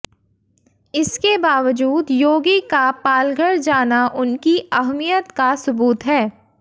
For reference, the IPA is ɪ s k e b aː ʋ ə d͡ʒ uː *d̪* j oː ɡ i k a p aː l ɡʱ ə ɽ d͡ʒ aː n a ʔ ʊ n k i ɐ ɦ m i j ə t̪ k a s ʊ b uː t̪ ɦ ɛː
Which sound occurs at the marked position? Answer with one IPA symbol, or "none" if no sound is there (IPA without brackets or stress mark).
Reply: d̪